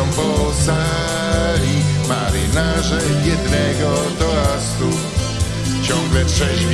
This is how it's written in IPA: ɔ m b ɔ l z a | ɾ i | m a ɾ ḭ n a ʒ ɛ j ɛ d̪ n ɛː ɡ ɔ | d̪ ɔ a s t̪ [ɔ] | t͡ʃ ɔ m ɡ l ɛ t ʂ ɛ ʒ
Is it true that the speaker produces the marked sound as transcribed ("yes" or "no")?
no